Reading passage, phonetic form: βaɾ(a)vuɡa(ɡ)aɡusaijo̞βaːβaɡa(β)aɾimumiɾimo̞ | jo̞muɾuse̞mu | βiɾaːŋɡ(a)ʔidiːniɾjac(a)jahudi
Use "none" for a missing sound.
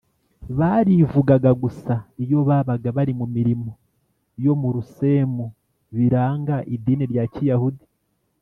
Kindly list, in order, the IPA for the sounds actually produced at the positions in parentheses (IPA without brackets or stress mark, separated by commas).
i, ɡ, β, a, i